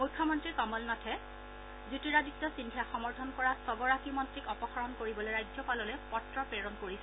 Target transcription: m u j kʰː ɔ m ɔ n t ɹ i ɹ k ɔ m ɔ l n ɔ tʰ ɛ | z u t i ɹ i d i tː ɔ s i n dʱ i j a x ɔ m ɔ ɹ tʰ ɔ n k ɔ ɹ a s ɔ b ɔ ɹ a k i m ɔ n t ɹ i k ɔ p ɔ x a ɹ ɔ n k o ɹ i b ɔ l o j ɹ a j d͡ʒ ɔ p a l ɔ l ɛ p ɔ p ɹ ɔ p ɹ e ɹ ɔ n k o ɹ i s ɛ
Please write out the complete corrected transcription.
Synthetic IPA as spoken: m u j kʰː ɔ m ɔ n t ɹ i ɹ k ɔ m ɔ l n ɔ tʰ ɛ | z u t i ɹ a d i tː ɔ s i n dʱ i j a x ɔ m ɔ ɹ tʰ ɔ n k ɔ ɹ a s ɔ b ɔ ɹ a k i m ɔ n t ɹ i k ɔ p ɔ x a ɹ ɔ n k o ɹ i b ɔ l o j ɹ a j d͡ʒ ɔ p a l ɔ l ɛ p ɔ t ɹ ɔ p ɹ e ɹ ɔ n k o ɹ i s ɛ